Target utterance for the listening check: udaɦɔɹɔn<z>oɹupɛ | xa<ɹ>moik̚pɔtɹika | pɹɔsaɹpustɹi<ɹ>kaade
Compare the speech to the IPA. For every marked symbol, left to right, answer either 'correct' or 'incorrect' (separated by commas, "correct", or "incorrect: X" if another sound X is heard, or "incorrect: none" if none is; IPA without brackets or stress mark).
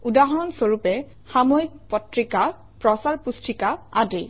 incorrect: s, incorrect: none, incorrect: none